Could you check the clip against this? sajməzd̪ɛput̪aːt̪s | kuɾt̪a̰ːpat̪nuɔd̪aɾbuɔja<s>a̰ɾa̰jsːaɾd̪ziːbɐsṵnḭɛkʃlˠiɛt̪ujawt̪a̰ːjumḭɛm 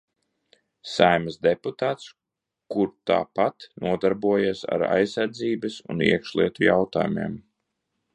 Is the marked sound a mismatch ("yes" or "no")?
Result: no